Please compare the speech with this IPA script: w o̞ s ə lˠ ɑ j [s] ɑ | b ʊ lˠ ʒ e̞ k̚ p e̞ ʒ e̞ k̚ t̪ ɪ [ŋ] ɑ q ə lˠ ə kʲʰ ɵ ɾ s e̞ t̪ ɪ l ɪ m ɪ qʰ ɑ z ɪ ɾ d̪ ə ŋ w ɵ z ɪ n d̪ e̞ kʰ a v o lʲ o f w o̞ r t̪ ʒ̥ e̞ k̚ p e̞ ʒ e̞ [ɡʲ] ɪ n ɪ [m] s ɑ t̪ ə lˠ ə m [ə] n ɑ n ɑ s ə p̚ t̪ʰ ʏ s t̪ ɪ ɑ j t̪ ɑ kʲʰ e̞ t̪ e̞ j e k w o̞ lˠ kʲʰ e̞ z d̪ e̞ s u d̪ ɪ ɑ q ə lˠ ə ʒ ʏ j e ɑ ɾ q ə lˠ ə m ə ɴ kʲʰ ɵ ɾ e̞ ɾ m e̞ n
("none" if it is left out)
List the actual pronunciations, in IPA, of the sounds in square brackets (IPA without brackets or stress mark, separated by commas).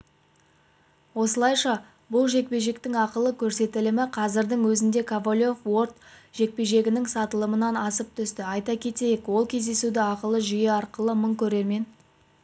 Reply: ʃ, ŋ, ɡʲ, ŋ, ə